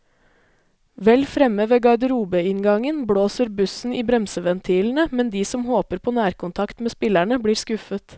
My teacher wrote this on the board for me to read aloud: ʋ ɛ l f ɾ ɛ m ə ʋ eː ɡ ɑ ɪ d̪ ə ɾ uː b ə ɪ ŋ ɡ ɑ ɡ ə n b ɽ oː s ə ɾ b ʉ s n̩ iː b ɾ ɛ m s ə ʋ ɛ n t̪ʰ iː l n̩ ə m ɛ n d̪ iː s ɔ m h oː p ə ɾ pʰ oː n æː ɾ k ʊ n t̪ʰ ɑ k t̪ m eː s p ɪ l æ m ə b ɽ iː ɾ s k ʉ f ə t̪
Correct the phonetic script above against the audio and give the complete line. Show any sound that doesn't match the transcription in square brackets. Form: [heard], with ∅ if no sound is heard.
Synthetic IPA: ʋ ɛ l f ɾ ɛ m ə ʋ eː ɡ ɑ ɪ d̪ ə ɾ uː b ə ɪ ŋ ɡ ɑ [ŋ] ə n b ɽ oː s ə ɾ b ʉ s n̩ iː b ɾ ɛ m s ə ʋ ɛ n t̪ʰ iː l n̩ ə m ɛ n d̪ iː s ɔ m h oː p ə ɾ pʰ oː n æː ɾ k ʊ n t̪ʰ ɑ k t̪ m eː s p ɪ l æ [ɳ] ə b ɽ iː ɾ s k ʉ f ə t̪